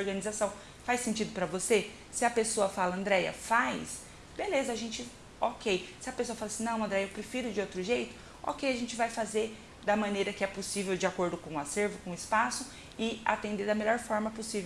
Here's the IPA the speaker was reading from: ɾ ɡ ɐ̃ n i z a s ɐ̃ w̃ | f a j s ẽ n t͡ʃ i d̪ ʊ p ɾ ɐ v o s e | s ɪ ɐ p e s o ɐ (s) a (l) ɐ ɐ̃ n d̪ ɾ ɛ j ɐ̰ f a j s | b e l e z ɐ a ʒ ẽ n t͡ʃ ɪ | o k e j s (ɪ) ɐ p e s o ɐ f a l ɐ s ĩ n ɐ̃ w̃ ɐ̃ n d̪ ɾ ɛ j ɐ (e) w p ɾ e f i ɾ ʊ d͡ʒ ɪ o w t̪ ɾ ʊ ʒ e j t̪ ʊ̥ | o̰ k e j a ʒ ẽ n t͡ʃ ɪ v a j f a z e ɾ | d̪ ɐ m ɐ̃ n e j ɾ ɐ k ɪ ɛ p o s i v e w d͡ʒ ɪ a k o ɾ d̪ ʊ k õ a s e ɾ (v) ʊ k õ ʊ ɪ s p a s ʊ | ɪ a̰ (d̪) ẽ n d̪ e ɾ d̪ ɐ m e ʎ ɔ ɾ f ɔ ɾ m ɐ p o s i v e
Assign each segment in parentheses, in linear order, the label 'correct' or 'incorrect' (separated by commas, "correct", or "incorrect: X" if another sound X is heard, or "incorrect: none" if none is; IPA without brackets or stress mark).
incorrect: f, correct, correct, correct, correct, incorrect: t̪